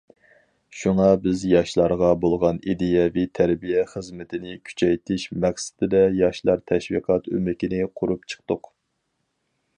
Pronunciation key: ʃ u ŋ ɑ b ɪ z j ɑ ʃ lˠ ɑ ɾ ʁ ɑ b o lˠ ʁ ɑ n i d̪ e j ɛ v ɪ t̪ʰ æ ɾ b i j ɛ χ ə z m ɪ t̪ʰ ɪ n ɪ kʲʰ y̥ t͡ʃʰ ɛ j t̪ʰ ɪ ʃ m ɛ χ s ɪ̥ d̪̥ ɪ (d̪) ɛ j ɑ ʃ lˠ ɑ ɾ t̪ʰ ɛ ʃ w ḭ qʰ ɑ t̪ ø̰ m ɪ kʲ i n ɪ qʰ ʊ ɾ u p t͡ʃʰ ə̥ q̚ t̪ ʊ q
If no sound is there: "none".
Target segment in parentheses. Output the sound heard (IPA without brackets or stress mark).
d̪